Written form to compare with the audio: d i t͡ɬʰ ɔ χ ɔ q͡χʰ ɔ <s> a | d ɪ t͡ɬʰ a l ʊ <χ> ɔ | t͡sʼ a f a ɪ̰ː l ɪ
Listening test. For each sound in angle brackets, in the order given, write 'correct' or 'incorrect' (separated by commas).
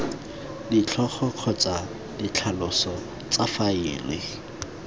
incorrect, incorrect